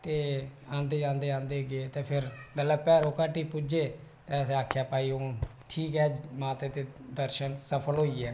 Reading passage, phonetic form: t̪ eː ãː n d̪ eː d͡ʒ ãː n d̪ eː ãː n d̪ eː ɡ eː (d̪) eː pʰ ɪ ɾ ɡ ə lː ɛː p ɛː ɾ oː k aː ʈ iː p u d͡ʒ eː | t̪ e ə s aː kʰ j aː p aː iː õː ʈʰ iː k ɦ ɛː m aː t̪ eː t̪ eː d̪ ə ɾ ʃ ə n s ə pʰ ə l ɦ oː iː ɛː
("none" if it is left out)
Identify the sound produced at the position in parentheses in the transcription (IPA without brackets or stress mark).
t̪